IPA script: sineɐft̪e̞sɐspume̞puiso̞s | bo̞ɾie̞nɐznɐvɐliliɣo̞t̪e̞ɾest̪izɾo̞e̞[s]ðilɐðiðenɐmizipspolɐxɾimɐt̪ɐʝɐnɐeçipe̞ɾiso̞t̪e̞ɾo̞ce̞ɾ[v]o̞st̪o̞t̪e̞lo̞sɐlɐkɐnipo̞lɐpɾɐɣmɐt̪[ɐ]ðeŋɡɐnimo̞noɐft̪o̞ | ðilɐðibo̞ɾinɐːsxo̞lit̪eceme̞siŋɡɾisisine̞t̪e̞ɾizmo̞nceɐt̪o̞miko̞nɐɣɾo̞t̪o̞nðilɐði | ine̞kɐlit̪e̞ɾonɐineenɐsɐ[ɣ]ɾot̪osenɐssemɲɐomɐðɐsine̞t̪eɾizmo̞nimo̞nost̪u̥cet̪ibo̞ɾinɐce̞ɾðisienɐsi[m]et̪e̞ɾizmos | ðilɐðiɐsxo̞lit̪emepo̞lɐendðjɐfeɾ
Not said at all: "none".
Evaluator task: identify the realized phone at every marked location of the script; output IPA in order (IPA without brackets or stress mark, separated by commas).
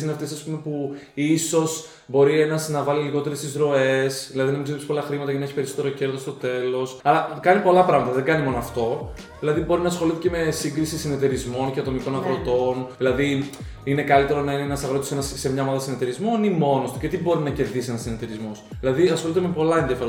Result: s, ð, ɐ, ɣ, n